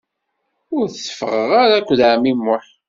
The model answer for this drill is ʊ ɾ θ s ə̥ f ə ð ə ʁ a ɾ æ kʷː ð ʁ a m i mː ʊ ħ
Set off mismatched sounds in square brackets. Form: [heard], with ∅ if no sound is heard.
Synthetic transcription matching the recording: ʊ ɾ θ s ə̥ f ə [ʁ] ə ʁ a ɾ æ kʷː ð [ʕ] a m i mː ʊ ħ